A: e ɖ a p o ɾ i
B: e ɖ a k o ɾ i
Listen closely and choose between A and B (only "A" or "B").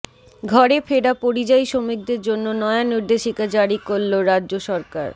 A